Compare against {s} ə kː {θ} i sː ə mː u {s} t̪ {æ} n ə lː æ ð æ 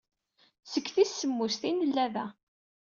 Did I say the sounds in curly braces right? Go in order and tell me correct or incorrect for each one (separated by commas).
correct, correct, correct, incorrect